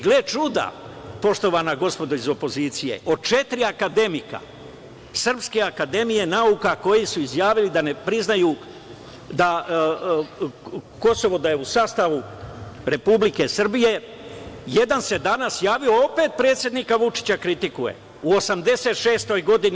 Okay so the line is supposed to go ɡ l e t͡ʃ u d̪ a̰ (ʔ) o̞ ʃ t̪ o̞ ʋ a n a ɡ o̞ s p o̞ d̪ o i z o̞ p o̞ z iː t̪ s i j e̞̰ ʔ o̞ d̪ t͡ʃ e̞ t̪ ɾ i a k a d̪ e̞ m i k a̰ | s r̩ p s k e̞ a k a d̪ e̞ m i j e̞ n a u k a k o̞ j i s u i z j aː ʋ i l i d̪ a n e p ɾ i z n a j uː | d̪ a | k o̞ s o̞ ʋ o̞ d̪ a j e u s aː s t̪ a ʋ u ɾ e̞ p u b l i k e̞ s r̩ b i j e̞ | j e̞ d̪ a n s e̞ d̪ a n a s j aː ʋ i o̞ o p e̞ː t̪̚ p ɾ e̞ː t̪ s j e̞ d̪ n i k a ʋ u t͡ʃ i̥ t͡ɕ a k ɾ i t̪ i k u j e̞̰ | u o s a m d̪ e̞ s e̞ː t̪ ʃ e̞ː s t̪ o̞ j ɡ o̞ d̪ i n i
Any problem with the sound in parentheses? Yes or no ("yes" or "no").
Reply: yes